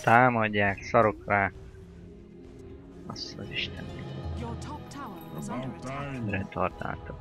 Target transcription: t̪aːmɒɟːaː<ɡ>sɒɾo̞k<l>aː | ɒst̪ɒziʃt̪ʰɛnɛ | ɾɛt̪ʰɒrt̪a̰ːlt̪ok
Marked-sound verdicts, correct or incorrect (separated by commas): incorrect, incorrect